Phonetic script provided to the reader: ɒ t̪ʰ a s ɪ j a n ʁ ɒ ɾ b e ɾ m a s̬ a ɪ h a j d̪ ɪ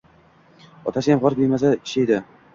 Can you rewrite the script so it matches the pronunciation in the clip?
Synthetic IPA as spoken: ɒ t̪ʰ a s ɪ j a m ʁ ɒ ɾ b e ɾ m a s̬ a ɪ ʃ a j d̪ ɪ